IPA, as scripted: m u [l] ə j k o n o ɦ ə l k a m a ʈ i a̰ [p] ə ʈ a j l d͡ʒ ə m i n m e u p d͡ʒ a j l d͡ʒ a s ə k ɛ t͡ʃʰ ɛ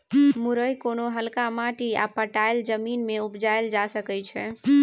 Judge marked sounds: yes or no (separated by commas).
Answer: no, yes